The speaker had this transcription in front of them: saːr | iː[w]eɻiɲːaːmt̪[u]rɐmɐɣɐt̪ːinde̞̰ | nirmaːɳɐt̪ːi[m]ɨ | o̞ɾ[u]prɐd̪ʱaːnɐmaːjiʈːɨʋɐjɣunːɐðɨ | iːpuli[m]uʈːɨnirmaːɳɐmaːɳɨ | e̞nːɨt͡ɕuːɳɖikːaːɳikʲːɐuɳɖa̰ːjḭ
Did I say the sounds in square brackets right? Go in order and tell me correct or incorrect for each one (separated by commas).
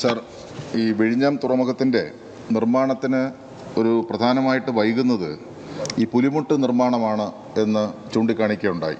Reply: incorrect, correct, incorrect, correct, correct